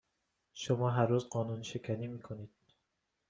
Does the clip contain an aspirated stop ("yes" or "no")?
yes